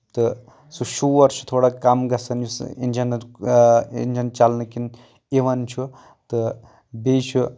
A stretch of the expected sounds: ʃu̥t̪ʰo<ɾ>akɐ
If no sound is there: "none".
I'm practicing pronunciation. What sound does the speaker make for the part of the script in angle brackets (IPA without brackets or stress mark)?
ɽ